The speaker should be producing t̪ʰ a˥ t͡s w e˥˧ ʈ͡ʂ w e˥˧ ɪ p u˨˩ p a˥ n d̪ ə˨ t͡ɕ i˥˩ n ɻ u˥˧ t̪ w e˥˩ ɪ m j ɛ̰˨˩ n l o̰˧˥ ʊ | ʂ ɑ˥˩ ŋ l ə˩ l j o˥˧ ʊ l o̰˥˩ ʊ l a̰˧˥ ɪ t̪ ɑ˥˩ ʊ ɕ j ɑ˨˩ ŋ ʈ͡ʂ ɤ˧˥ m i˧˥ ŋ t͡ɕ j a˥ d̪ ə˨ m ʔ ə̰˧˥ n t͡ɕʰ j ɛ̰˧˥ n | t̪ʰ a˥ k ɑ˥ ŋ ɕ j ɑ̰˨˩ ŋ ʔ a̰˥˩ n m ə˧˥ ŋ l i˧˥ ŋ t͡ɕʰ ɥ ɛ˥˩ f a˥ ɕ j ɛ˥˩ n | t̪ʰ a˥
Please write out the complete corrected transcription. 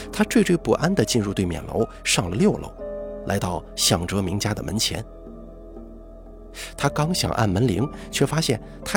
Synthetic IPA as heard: t̪ʰ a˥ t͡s w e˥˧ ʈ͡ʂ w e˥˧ ɪ p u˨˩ ʔ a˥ n d̪ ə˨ t͡ɕ i˥˧ n ɻ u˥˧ t̪ w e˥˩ ɪ m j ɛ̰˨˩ n l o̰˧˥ ʊ | ʂ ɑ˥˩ ŋ l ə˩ l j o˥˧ ʊ l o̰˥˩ ʊ l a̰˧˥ ɪ t̪ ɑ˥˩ ʊ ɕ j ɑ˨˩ ŋ ʈ͡ʂ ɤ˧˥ m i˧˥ ŋ t͡ɕ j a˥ d̪ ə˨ m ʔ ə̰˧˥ n t͡ɕʰ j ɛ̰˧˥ n | t̪ʰ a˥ k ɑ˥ ŋ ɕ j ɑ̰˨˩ ŋ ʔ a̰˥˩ n m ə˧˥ n l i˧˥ ŋ t͡ɕʰ ɥ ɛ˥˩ f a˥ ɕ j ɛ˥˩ n | t̪ʰ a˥